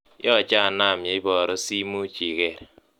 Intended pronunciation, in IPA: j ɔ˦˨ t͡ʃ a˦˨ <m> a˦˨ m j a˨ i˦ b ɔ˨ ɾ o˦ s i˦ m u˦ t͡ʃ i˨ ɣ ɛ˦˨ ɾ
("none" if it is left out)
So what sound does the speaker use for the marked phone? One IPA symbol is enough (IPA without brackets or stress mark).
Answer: n